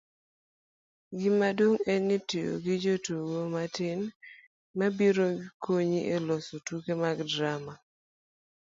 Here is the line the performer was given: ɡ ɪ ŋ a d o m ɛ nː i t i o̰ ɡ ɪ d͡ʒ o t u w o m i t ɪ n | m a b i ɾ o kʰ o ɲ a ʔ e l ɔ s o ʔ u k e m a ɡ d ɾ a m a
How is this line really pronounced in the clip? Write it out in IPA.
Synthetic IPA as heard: ɡ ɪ m a d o ŋ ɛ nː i t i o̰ ɡ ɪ d͡ʒ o t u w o m a t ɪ n | m a b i ɾ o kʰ o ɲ i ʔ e l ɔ s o t u k e m a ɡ d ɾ a m a